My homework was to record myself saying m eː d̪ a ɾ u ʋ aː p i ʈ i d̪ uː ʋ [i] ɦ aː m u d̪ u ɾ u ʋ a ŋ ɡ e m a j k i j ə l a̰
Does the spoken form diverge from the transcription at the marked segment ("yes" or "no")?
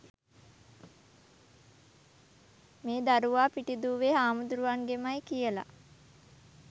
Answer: yes